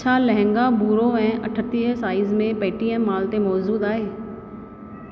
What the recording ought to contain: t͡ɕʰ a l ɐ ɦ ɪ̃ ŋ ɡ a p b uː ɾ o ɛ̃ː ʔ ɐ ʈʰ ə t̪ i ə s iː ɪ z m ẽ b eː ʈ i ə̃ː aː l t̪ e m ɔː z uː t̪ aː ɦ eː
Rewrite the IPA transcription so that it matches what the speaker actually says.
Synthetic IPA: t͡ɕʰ a l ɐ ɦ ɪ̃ ŋ ɡ a b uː ɾ o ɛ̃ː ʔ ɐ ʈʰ ə t̪ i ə s aː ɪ z m ẽ p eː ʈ i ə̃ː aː l t̪ e m ɔː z uː d̪ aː ɦ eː